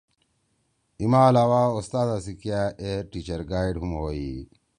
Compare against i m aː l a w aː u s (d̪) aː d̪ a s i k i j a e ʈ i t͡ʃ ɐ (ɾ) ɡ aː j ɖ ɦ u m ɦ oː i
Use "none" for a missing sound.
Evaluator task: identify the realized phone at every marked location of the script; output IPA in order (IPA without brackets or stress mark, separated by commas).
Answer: t̪, ɾ